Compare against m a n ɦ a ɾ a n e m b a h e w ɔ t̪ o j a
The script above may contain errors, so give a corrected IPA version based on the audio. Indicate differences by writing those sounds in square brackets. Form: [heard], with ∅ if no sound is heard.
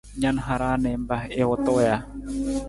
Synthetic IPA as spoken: [ɲ] a n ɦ a ɾ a n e m b a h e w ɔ t̪ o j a